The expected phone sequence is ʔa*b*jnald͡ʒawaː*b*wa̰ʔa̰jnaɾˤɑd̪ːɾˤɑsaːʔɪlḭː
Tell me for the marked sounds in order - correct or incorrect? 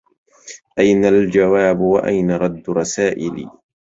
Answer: incorrect, correct

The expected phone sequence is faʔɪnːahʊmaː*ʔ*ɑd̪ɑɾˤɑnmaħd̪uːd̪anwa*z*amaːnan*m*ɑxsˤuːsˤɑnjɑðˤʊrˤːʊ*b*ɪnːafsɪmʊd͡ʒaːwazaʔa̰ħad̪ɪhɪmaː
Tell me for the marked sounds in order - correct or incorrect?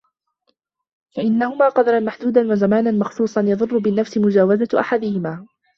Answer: incorrect, correct, correct, correct

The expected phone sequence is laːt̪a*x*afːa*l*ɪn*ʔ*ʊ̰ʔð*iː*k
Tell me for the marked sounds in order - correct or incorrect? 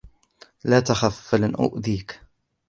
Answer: correct, correct, correct, correct

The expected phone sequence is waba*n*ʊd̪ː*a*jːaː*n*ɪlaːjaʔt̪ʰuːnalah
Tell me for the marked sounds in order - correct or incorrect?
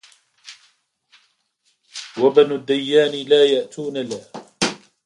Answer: correct, correct, correct

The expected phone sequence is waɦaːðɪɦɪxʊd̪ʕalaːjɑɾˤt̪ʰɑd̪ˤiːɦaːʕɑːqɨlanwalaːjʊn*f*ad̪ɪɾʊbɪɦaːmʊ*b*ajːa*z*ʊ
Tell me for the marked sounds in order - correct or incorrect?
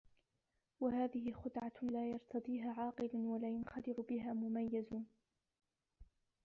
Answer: incorrect, incorrect, correct

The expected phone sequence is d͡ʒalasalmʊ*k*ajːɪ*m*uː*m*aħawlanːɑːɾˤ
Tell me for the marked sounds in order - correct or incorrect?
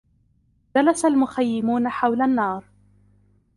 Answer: incorrect, correct, incorrect

